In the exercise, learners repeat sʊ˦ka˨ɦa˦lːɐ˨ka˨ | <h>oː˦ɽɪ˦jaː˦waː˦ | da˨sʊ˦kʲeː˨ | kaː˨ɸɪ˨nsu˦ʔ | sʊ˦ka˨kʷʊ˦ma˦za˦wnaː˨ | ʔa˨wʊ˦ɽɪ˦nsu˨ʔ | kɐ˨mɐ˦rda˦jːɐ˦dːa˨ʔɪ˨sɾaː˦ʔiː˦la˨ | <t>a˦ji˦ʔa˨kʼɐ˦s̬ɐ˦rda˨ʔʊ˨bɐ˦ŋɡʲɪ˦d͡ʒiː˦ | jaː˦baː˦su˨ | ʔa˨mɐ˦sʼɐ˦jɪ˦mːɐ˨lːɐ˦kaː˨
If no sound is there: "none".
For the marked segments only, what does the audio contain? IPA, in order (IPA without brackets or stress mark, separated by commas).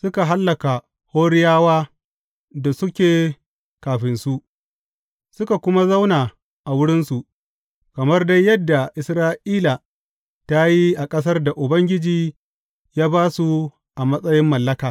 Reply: h, t